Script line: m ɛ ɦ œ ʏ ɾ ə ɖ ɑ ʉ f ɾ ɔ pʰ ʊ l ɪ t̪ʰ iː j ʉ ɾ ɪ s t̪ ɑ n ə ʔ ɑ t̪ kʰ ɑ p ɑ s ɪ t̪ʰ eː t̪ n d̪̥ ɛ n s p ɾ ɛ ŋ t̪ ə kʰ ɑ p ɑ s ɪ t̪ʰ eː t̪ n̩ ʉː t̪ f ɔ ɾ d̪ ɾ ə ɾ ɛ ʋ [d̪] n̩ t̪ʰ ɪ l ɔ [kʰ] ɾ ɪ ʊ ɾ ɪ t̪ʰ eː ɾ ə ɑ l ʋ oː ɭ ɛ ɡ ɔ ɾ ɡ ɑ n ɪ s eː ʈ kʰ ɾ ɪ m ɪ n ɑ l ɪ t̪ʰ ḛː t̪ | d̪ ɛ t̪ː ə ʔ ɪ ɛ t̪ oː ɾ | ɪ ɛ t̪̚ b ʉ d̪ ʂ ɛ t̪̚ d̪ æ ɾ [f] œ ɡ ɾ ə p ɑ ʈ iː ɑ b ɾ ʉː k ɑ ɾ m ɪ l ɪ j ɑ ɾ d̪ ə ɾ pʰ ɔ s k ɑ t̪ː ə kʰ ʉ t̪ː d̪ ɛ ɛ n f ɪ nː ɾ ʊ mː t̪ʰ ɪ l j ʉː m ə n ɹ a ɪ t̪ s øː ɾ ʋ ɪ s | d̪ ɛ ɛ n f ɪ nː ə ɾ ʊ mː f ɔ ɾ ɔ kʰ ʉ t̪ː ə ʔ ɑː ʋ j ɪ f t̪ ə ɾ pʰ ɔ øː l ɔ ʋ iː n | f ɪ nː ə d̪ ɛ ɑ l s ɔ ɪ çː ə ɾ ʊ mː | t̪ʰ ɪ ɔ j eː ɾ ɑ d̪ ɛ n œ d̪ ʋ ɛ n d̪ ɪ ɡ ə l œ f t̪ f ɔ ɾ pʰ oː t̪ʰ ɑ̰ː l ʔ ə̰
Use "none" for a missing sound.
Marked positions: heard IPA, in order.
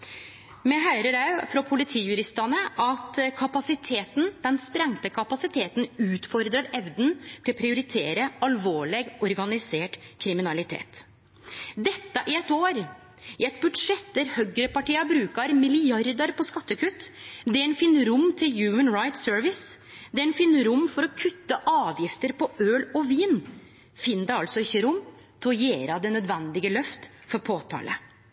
d̪, pʰ, h

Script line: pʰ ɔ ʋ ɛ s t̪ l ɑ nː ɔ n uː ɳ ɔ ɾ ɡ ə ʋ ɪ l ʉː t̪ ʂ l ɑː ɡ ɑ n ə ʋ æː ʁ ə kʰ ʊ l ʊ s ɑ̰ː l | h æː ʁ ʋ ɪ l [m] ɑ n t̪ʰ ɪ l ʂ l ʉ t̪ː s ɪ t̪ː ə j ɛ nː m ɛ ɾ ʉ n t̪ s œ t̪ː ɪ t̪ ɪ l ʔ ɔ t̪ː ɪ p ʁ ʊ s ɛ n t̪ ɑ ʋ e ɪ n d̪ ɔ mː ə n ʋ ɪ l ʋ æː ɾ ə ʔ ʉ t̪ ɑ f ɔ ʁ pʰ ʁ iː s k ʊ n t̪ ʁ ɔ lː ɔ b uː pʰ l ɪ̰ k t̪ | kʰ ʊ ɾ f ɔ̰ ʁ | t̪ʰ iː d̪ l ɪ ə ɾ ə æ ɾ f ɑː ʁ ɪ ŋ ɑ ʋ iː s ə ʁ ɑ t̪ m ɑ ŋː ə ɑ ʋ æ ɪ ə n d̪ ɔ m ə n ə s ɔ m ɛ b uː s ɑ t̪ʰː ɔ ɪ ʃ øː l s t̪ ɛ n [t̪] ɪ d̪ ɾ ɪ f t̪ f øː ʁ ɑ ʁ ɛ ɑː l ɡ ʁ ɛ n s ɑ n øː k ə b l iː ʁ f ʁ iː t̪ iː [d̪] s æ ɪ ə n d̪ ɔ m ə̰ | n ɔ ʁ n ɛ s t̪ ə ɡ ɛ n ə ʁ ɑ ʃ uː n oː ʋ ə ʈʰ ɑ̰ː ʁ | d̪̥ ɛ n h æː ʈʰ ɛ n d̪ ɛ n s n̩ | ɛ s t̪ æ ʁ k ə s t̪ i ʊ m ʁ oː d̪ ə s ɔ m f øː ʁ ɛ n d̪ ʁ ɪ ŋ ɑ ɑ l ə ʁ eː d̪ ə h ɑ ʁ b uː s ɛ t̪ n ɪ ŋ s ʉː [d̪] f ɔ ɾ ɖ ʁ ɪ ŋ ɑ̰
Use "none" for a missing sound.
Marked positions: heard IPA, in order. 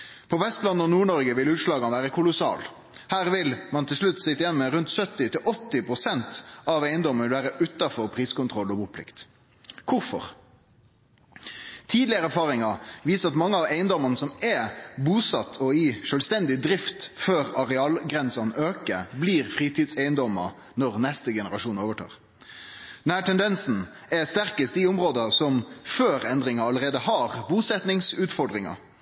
m, d̪, d̪, t̪

